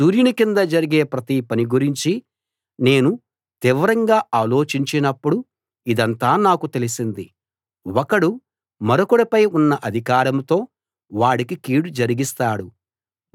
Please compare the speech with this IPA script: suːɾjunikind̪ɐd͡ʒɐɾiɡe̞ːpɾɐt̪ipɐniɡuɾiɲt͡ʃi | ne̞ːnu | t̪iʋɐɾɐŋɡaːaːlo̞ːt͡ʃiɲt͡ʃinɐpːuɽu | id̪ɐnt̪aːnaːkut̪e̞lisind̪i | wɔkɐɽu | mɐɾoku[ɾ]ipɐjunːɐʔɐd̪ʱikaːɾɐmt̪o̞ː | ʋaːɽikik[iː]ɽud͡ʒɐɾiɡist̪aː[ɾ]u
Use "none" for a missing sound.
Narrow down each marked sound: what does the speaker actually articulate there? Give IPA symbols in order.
ɽ, iː, ɽ

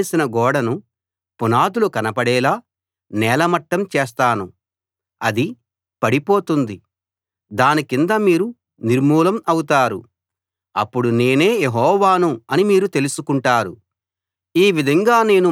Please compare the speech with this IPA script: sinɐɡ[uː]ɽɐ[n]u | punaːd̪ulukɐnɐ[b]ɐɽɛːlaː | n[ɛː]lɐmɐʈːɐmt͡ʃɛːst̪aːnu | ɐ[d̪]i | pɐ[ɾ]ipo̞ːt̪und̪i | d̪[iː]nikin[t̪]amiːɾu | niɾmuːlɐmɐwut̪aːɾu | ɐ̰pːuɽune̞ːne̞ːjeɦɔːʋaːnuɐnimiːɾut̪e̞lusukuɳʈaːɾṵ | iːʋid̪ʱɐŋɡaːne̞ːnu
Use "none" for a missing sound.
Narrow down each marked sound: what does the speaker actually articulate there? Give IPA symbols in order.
ɔː, n, p, ɛː, d̪, ɽ, aː, d̪

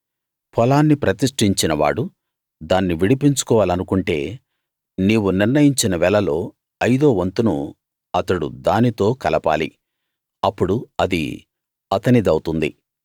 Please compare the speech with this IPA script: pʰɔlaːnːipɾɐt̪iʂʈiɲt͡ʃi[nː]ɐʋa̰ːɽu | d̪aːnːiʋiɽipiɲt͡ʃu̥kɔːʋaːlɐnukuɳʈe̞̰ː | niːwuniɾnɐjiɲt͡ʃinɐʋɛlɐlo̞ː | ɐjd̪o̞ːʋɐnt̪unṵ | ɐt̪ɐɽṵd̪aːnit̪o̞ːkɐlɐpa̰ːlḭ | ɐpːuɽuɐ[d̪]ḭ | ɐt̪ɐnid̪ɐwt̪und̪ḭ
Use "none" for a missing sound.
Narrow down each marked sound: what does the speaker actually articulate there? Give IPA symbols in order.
n, d̪

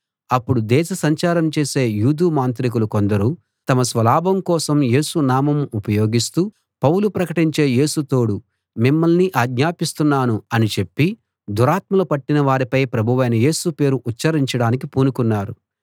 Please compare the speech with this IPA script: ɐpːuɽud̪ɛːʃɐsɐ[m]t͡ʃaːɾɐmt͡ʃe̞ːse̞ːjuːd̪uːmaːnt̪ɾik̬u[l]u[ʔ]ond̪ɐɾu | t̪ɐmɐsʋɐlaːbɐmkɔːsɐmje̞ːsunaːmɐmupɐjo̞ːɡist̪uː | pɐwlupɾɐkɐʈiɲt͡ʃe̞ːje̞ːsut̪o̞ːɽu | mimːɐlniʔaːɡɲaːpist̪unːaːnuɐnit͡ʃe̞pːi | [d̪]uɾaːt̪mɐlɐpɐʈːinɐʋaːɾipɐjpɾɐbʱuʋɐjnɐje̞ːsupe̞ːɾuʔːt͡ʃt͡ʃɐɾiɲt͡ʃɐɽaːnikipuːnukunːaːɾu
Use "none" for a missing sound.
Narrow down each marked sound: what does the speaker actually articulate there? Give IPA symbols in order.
ɲ, l, k, d̪

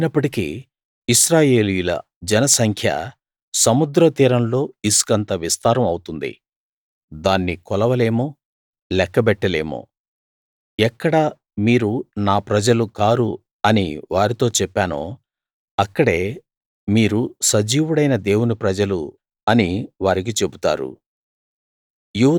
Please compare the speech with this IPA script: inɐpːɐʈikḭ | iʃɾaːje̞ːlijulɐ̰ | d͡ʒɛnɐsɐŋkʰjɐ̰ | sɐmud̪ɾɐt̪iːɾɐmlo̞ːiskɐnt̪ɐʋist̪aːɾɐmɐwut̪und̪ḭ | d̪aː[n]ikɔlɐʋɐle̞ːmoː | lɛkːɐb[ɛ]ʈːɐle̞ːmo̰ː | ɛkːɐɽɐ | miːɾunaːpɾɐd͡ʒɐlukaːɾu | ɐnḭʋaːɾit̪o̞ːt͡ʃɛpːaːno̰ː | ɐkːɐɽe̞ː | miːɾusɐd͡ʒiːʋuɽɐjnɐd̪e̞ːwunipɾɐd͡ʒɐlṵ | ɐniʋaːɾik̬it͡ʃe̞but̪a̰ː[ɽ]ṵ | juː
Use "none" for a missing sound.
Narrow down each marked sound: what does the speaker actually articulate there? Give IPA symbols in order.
nː, ɛ, ɾ

